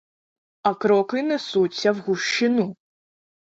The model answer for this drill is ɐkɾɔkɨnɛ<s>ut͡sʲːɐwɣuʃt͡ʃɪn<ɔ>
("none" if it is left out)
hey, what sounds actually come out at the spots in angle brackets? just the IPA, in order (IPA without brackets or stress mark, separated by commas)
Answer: s, u